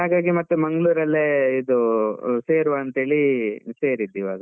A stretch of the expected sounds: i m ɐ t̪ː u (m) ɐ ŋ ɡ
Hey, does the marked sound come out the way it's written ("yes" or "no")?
yes